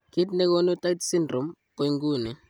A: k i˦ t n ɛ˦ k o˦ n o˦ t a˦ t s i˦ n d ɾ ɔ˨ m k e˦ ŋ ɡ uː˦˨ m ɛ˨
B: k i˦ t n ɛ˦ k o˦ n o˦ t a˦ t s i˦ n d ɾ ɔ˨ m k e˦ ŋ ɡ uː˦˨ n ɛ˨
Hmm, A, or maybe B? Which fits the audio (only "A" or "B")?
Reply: B